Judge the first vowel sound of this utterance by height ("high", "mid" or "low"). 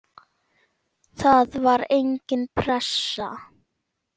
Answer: low